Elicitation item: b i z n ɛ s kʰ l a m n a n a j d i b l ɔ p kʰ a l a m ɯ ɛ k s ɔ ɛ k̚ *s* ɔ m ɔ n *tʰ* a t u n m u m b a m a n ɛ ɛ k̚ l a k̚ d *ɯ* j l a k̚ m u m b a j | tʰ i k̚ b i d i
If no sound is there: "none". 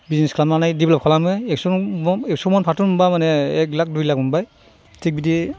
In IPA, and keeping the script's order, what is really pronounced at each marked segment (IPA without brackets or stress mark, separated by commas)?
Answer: s, pʰ, u